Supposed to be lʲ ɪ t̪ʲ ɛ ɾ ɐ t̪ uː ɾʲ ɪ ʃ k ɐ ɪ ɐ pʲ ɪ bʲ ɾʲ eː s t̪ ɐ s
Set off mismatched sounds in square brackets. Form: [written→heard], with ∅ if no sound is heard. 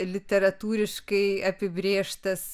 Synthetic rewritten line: lʲ ɪ t̪ʲ ɛ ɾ ɐ t̪ uː ɾʲ ɪ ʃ k ɐ ɪ ɐ pʲ ɪ bʲ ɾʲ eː [s→ʃ] t̪ ɐ s